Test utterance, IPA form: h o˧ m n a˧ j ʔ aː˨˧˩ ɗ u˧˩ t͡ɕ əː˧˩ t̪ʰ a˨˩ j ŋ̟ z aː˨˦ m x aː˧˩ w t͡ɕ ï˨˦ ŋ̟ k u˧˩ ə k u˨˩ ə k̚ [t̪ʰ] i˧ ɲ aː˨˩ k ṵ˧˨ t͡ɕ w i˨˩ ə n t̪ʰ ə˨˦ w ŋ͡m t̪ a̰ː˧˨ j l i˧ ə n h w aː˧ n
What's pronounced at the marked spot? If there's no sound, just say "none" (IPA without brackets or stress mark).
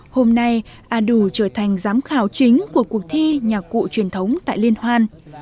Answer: t̪ʰ